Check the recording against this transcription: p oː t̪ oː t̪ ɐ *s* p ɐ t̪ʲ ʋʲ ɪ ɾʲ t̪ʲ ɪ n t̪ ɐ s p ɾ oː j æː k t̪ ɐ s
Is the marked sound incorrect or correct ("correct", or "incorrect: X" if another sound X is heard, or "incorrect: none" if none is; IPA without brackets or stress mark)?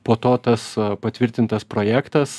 correct